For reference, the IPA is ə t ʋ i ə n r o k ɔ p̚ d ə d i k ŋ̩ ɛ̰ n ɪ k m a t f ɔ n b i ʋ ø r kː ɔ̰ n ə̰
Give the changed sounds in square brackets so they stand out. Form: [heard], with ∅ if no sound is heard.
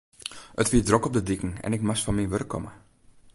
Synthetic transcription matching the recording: ə t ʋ i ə [d] r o k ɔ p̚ d ə d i k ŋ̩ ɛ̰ n ɪ k m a [s] f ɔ n [m] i ʋ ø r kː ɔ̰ [m] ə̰